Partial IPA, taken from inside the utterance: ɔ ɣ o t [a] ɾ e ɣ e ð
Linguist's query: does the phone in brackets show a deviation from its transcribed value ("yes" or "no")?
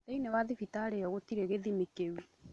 yes